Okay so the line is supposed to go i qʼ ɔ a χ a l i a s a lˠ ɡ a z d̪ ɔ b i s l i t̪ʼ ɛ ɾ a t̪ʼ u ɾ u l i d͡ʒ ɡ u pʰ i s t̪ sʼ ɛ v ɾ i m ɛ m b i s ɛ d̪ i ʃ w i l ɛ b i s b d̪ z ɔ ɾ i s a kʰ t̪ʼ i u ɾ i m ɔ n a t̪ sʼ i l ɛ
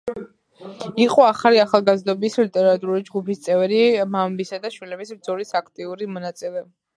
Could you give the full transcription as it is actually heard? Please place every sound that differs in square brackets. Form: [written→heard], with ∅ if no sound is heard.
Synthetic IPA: i qʼ ɔ a χ a l i a [s→χ] a lˠ ɡ a z d̪ ɔ b i s l i t̪ʼ ɛ ɾ a t̪ʼ u ɾ u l i d͡ʒ ɡ u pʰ i s t̪ sʼ ɛ v ɾ i m [ɛ→a] m b i s [ɛ→a] d̪ [i→a] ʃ w i l ɛ b i s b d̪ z ɔ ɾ i s a kʰ t̪ʼ i u ɾ i m ɔ n a t̪ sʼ i l ɛ